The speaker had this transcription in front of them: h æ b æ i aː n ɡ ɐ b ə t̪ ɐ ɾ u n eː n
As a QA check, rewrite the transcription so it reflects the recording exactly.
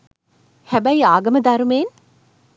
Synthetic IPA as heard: h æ b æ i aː ɡ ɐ m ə d̪ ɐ ɾ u m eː n